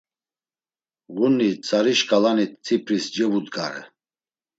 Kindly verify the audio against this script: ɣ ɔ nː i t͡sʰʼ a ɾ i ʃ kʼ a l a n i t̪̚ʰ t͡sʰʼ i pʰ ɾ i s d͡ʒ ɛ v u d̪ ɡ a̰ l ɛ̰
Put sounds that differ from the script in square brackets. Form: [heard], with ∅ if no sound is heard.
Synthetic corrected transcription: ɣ [u] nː i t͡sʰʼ a ɾ i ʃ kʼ a l a n i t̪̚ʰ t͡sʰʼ i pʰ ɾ i s d͡ʒ ɛ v u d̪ ɡ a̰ [ɾ] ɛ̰